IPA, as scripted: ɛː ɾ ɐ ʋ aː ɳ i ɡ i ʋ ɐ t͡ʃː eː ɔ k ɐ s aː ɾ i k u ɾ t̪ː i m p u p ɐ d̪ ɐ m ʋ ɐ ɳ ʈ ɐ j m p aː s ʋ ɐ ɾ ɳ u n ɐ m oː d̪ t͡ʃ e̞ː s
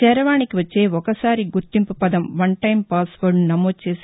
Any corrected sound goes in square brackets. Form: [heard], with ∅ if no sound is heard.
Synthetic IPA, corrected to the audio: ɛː ɾ ɐ ʋ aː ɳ i [k] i ʋ ɐ t͡ʃː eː ɔ k ɐ s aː ɾ i [ɡ] u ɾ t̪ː i m p u p ɐ d̪ ɐ m ʋ ɐ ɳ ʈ ɐ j m p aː s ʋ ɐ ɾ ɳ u n ɐ m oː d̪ t͡ʃ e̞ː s